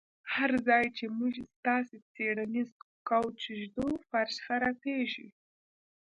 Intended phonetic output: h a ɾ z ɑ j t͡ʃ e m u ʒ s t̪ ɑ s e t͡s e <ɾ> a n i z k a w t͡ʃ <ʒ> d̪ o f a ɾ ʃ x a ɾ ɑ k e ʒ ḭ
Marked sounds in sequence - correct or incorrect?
incorrect: ɽ, correct

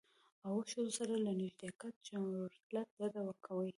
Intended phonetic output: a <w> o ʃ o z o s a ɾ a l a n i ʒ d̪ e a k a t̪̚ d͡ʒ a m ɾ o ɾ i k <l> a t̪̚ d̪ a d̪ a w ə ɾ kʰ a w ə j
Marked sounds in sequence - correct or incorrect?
correct, correct

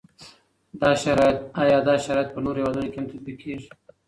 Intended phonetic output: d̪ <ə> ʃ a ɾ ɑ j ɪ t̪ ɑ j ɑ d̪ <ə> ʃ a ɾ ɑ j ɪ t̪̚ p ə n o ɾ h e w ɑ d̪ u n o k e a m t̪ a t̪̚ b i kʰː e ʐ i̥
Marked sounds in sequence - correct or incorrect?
incorrect: ɑ, incorrect: ɑ

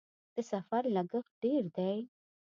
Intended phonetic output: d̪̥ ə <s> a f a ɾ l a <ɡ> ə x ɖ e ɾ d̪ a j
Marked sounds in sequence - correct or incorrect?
correct, correct

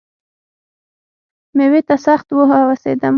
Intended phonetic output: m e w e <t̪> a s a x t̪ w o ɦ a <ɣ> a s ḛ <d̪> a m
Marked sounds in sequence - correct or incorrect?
correct, incorrect: w, correct

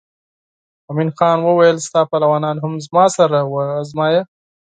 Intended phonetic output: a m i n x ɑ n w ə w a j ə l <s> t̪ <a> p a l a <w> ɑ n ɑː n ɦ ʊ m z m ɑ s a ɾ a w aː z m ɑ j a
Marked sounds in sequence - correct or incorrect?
correct, incorrect: ɑ, correct

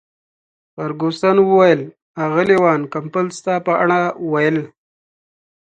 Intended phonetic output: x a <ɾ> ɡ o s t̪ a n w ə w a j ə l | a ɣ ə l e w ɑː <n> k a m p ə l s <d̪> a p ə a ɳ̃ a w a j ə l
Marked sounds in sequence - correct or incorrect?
correct, correct, incorrect: t̪

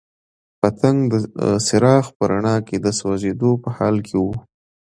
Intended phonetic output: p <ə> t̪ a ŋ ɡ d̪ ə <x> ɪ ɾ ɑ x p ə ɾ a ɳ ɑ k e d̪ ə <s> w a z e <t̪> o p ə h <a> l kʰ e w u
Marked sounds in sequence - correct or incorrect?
incorrect: a, incorrect: s, correct, incorrect: d̪, incorrect: ɑ

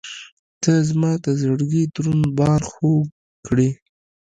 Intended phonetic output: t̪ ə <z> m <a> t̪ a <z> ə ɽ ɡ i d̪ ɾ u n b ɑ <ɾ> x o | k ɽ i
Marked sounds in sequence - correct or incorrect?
correct, incorrect: ɑ, correct, correct

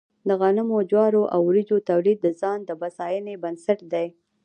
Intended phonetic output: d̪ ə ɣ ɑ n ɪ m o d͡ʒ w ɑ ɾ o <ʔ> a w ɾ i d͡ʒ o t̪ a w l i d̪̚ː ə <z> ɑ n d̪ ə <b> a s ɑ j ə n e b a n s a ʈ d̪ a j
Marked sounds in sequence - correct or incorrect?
correct, correct, correct

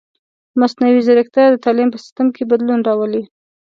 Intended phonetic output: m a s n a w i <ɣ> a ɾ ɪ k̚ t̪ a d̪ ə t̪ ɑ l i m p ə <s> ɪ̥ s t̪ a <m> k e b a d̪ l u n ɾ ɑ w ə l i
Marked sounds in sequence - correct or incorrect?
incorrect: z, correct, correct

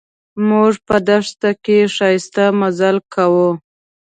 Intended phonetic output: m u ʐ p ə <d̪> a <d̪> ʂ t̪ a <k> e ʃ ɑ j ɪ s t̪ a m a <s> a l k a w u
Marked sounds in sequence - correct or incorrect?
correct, incorrect: none, correct, incorrect: z

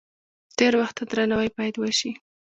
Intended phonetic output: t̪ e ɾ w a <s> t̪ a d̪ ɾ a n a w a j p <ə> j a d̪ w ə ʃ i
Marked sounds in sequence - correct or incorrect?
incorrect: x, incorrect: ɑ

